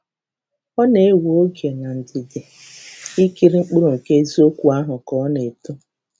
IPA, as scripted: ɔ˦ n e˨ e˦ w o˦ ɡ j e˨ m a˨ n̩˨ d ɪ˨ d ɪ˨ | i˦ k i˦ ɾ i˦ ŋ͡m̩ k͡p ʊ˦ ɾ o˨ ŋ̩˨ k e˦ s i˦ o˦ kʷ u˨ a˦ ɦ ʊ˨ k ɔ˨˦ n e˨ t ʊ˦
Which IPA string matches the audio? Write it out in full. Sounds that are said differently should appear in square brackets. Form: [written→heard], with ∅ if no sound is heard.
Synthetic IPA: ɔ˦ n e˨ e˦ w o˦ ɡ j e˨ [m→n] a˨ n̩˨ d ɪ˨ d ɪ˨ | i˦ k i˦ ɾ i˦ ŋ͡m̩ k͡p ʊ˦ ɾ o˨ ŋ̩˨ k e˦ [s→z] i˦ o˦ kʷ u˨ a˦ ɦ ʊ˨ k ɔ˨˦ n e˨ t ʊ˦